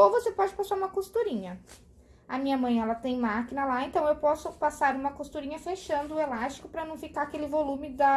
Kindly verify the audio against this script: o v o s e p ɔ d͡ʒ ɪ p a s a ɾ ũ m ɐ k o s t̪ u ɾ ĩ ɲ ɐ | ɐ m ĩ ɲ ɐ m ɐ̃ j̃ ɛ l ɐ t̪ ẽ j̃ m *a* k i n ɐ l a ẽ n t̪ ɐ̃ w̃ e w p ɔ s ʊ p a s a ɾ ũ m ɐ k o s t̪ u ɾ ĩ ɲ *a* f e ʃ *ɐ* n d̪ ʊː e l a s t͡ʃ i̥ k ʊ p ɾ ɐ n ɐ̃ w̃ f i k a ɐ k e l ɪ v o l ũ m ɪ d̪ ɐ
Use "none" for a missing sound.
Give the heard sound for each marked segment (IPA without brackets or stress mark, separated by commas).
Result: a, ɐ, ɐ̃